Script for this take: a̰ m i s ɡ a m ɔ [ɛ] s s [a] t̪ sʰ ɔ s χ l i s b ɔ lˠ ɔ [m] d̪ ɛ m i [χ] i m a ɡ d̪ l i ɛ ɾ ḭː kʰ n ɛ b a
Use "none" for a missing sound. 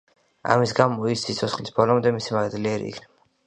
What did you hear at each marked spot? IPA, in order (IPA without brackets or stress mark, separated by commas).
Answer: i, i, m, s